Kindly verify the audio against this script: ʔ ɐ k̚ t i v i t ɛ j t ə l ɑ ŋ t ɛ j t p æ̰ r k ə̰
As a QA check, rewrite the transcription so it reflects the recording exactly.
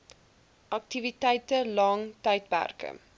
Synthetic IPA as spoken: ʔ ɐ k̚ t i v i t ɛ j t ə l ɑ ŋ t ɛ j t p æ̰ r k ə̰